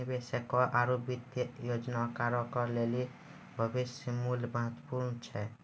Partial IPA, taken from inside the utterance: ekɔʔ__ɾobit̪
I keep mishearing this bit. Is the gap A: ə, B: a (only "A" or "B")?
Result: B